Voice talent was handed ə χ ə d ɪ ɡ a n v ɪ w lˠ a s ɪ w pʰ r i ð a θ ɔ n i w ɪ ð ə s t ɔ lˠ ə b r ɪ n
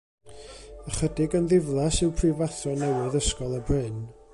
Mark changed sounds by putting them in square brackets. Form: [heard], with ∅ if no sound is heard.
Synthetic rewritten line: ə χ ə d ɪ ɡ [ə] n [ð] ɪ [v] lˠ a s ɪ w pʰ r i [v] a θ ɔ n [ɛ] w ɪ ð ə s [k] ɔ lˠ ə b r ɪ n